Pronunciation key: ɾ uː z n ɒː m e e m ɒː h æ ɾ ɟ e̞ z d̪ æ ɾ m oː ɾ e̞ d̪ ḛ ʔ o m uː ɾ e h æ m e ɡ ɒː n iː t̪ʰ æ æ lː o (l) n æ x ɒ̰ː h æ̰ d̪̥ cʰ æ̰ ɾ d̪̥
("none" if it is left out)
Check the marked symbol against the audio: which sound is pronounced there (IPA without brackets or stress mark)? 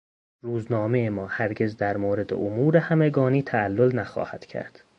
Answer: l